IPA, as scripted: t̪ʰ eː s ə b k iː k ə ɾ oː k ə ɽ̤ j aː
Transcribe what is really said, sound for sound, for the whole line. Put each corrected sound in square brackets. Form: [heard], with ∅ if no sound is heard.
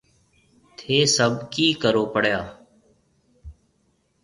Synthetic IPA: t̪ʰ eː s ə b k iː k ə ɾ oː [p] ə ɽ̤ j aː

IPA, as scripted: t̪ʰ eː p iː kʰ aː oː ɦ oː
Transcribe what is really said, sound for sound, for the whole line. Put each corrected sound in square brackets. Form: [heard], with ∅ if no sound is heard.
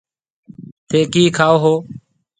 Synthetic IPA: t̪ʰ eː [k] iː kʰ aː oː ɦ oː

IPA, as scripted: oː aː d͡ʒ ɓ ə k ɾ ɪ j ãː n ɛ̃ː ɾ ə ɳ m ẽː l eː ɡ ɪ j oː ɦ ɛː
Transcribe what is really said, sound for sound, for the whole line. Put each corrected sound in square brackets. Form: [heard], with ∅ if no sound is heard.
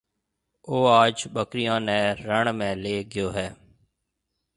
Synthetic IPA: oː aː d͡ʒ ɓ ə k ɾ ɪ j ãː n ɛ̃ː ɾ ə ɳ m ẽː l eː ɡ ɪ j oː ɦ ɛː

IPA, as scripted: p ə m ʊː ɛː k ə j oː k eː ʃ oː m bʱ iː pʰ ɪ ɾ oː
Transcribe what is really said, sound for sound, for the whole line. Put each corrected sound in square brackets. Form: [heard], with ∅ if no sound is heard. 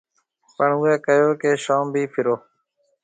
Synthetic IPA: p ə [ɳ] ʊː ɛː k ə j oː k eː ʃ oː m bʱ iː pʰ ɪ ɾ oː

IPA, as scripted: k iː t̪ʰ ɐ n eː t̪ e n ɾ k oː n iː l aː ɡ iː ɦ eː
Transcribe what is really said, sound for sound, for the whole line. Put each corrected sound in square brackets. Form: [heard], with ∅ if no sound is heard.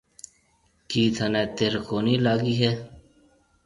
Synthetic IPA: k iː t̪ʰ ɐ n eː t̪ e [∅] ɾ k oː n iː l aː ɡ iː ɦ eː

